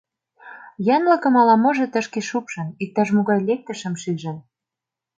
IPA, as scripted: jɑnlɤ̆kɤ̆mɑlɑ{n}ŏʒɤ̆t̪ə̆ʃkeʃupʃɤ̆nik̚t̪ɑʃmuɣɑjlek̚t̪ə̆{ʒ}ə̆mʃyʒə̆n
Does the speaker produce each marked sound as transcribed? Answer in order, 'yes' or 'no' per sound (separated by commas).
no, no